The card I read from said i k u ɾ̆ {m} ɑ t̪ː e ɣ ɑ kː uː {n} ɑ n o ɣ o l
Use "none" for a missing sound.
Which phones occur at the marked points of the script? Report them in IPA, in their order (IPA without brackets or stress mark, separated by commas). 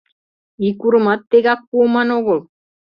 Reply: m, m